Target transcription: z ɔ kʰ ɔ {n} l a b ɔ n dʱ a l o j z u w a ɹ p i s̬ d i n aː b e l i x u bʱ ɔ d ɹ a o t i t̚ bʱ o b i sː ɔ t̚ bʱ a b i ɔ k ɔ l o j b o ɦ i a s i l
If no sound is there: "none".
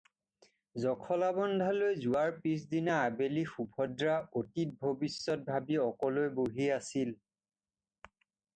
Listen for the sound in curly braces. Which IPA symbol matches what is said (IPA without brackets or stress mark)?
none